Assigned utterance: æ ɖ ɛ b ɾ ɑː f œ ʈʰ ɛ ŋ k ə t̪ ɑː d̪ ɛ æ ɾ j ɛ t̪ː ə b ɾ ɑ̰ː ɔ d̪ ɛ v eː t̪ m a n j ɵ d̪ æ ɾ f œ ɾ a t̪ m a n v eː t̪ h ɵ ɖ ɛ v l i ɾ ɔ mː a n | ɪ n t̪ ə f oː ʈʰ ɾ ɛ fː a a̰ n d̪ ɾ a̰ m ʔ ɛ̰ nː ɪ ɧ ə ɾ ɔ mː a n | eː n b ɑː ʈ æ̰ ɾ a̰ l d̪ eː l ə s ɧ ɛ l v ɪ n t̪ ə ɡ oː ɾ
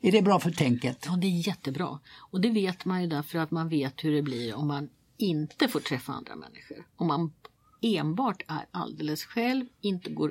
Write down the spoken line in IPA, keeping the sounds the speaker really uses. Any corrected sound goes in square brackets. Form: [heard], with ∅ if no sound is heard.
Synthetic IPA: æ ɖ ɛ b ɾ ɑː f œ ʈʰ ɛ ŋ k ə t̪ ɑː d̪ ɛ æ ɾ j ɛ t̪ː ə b ɾ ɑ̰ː ɔ d̪ ɛ v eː t̪ m a n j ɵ d̪ æ ɾ f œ ɾ a t̪ m a n v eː t̪ h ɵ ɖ ɛ [b] l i ɾ ɔ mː a n | ɪ n t̪ ə f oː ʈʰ ɾ ɛ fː a a̰ n d̪ ɾ a̰ m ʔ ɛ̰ nː ɪ ɧ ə ɾ ɔ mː a n | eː n b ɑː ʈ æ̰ ɾ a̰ l d̪ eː l ə s ɧ ɛ l v ɪ n t̪ ə ɡ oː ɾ